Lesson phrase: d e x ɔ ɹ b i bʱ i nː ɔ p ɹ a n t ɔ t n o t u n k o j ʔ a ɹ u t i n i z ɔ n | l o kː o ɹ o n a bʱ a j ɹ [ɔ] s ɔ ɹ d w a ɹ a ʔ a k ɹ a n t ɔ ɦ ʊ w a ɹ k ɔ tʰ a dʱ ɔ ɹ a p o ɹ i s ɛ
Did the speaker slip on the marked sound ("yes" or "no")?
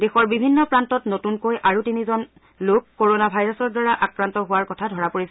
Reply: no